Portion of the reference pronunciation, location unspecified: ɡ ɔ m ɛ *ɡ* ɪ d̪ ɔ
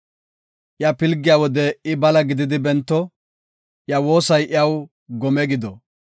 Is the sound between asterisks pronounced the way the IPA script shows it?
yes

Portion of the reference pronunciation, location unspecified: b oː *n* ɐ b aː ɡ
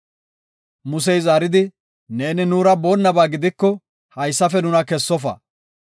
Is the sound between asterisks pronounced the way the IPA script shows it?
no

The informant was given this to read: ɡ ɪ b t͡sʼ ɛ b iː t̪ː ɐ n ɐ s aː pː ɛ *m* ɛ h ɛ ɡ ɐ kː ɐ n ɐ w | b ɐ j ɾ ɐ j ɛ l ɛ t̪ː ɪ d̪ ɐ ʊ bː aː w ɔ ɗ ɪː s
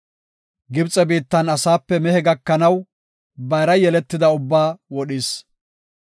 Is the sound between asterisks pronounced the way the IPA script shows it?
yes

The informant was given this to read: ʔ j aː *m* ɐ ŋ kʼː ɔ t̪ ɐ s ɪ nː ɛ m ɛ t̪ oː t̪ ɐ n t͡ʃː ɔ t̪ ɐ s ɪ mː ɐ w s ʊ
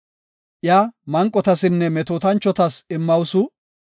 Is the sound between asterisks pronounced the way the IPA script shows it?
yes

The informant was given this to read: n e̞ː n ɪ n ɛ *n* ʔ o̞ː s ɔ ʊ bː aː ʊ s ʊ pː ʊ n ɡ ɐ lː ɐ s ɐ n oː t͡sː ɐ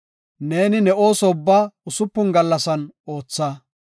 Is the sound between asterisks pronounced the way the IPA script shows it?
no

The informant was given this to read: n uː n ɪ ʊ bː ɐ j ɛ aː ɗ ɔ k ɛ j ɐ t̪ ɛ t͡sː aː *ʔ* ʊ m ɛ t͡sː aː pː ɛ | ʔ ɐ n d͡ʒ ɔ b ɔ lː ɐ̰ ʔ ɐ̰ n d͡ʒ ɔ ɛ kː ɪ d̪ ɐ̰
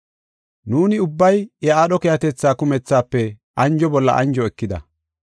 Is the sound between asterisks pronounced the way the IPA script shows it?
no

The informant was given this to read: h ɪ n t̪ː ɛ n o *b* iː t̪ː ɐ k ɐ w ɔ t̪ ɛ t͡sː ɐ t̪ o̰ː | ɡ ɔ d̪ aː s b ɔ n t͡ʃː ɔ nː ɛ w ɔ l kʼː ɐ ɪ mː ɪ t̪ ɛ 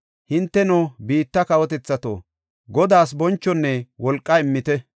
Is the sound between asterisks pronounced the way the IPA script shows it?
yes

